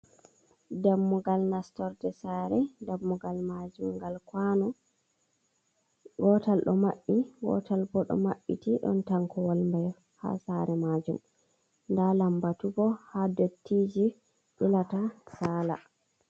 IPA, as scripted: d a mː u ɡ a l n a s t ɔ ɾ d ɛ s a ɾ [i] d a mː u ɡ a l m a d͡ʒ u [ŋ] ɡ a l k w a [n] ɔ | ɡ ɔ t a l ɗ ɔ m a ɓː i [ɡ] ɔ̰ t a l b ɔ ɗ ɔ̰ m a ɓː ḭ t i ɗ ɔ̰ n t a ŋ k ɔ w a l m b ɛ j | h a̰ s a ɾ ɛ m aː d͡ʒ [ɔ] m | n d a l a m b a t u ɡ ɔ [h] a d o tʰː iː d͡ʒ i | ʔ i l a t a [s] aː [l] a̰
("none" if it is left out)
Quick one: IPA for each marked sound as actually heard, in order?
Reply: ɛ, m, n, ɡ, u, h, s, l

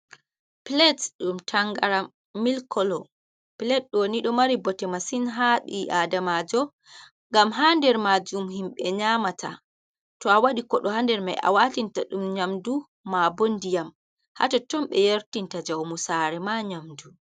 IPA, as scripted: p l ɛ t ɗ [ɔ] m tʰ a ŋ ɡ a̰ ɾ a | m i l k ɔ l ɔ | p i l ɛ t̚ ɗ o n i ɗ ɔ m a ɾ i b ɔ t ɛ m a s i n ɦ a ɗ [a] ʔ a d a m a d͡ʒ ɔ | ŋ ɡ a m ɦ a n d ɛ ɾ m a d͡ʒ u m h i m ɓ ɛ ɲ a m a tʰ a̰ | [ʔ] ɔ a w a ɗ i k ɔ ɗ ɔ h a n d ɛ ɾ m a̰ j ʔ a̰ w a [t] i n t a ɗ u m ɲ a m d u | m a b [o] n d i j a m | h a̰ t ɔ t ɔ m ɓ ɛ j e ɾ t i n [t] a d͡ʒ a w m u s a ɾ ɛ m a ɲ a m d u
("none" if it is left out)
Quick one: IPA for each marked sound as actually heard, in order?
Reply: u, i, t, t, o, t

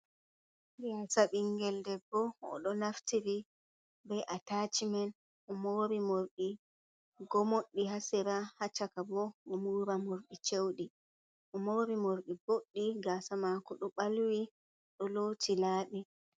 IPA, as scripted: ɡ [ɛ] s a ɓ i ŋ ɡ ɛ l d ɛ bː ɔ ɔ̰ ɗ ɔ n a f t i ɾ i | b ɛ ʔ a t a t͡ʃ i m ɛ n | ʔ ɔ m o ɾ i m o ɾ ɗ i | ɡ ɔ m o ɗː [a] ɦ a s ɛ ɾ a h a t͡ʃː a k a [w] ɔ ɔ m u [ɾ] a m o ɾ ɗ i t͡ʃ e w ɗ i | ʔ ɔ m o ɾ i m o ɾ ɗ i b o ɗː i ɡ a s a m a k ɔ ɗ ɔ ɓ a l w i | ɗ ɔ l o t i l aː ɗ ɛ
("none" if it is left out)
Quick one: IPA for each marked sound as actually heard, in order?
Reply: a, i, b, ɾ

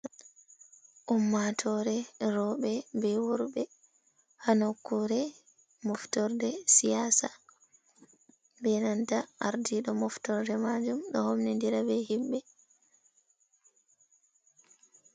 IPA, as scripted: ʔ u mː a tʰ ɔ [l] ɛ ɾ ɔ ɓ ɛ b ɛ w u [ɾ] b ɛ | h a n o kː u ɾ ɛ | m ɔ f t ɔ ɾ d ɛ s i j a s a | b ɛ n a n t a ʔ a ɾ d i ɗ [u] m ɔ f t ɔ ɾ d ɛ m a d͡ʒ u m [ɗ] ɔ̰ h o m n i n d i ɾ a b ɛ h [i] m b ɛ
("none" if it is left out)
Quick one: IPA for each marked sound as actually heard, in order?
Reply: ɾ, ɾ, ɔ, ɗ, i

